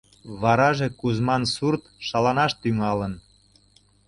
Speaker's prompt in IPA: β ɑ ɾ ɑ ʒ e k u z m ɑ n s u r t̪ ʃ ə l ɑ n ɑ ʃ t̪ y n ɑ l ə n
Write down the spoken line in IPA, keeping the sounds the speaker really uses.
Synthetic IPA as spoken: β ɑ ɾ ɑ ʒ e k u z m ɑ n s u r t̪ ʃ ɑ l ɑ n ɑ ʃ t̪ y ŋ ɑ l ə n